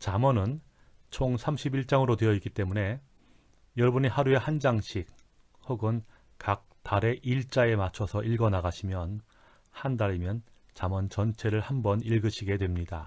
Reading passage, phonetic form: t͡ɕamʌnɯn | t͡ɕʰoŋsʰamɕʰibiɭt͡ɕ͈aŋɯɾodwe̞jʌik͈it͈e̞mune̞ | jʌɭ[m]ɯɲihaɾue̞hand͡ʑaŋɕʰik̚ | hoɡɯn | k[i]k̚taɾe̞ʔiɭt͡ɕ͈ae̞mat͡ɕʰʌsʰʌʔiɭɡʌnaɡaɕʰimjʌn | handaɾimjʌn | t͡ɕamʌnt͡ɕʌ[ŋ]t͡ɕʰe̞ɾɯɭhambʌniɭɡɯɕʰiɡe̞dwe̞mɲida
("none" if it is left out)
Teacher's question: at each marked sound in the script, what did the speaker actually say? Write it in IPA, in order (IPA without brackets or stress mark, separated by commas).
b, a, n